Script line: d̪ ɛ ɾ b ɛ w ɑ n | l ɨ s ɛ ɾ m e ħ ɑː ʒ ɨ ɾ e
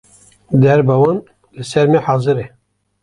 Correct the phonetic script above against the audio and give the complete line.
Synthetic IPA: d̪ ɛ ɾ b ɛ w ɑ n | l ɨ s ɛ ɾ m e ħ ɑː z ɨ ɾ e